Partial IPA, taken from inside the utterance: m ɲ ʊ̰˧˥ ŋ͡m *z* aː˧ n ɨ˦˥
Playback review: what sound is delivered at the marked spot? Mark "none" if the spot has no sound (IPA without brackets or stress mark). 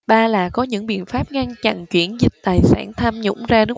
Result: z